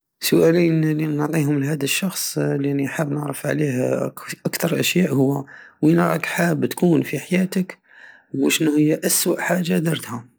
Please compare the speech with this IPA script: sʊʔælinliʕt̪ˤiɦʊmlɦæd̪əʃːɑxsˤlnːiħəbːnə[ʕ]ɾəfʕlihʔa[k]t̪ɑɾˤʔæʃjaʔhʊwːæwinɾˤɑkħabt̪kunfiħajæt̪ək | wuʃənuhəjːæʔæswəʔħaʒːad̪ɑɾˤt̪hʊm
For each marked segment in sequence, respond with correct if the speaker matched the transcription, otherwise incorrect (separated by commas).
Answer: correct, correct